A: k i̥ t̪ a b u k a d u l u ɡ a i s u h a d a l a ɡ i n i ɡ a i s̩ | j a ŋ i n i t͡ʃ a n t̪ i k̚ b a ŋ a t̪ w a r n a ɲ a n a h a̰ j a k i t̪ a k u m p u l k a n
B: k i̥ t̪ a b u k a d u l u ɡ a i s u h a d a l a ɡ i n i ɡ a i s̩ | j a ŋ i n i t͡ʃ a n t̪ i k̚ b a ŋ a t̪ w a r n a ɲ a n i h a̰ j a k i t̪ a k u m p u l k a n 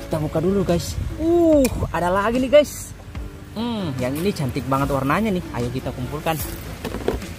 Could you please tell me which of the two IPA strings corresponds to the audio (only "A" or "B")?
B